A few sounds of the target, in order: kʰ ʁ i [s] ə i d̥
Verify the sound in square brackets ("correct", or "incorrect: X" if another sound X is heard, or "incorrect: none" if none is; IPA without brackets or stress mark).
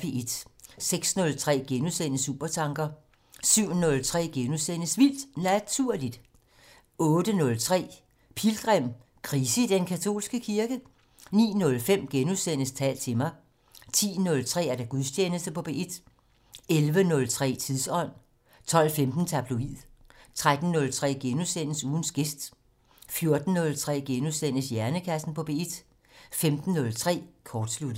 correct